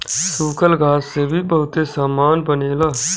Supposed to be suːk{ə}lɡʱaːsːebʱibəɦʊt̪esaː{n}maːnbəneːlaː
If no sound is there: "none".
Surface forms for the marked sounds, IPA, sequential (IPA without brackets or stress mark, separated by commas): ə, none